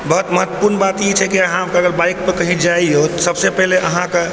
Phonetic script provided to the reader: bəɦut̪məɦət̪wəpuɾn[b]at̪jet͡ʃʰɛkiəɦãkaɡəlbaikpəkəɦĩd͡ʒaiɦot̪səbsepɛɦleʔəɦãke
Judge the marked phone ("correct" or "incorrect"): correct